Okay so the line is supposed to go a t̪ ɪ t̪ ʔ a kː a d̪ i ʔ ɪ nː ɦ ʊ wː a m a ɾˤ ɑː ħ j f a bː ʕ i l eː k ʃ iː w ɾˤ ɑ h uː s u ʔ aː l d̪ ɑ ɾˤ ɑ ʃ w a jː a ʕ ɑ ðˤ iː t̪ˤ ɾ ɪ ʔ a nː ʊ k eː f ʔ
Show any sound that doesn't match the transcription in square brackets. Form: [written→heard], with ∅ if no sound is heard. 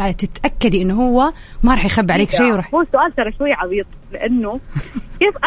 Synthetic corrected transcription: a t̪ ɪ t̪ ʔ a kː a d̪ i ʔ ɪ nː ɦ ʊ wː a m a ɾˤ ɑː ħ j [f→x] a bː ʕ [i→a] l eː k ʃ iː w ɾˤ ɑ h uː s [u→ʊ] ʔ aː l [d̪→t̪] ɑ ɾˤ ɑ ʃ w a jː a ʕ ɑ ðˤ iː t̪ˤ [ɾ→l] ɪ ʔ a nː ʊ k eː f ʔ